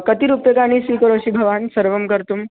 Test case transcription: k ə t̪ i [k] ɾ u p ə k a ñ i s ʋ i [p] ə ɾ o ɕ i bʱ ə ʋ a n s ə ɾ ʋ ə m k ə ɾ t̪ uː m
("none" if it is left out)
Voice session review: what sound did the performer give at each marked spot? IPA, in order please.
none, k

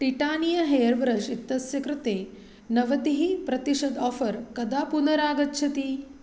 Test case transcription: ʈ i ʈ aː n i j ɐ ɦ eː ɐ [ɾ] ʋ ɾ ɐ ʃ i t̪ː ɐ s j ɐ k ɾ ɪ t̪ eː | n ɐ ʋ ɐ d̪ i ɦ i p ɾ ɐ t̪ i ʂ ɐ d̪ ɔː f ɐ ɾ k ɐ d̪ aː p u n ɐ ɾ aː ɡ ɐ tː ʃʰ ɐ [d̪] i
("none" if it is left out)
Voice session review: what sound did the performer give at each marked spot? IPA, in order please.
ɾ, t̪

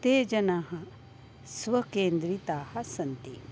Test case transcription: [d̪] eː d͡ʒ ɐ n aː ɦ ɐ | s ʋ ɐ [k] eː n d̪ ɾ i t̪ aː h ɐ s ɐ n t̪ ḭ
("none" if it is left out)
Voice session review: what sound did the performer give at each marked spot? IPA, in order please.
t̪, k

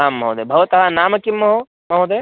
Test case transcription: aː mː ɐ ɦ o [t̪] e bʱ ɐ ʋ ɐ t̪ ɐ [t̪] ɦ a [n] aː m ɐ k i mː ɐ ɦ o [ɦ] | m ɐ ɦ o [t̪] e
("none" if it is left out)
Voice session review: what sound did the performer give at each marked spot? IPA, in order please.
d̪, none, n, none, d̪

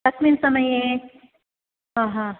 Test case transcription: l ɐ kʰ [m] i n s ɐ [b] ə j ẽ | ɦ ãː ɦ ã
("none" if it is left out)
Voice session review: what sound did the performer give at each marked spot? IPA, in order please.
m, m

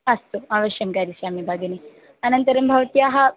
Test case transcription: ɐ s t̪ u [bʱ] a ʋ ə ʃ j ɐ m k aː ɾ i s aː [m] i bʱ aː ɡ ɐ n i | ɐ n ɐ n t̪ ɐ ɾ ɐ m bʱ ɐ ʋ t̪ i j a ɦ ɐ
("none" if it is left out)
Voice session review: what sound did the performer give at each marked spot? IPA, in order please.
none, m

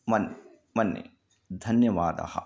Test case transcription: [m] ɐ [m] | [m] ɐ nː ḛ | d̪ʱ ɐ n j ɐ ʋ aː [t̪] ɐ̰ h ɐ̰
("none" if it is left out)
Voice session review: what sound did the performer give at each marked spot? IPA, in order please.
m, n, m, d̪

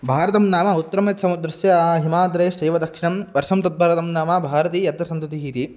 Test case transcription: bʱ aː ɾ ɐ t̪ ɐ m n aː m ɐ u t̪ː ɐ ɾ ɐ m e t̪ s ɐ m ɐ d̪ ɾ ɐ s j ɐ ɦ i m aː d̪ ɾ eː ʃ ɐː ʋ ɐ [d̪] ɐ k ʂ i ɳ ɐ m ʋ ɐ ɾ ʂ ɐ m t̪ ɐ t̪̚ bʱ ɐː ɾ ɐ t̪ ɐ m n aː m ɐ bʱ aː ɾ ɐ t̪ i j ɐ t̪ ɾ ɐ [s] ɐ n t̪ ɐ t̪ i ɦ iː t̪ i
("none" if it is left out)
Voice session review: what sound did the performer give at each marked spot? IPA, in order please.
d̪, s

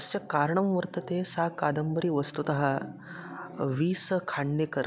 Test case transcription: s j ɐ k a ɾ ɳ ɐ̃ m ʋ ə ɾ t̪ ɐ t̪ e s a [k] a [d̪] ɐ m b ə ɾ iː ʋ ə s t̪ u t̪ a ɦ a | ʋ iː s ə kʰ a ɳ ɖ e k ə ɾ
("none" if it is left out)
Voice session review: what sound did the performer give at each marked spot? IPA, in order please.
k, d̪

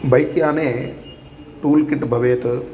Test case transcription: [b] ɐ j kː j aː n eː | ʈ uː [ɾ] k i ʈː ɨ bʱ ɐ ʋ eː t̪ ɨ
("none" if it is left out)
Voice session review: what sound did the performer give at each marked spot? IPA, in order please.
b, l

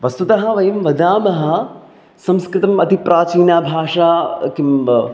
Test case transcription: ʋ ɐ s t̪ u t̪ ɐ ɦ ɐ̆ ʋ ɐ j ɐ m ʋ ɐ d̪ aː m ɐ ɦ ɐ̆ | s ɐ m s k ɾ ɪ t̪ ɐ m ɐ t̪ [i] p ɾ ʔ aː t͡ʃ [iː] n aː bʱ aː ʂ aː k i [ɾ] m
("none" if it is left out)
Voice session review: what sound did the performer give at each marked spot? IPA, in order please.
i, iː, none

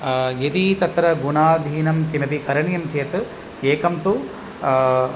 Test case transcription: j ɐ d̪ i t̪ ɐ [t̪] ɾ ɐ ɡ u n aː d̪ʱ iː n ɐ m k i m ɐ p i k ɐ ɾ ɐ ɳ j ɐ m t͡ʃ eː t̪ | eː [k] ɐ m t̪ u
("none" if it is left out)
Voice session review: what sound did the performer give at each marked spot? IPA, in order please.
t̪, k

